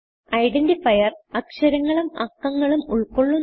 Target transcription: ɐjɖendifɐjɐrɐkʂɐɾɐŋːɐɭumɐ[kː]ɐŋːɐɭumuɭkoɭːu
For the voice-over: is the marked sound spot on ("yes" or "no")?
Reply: yes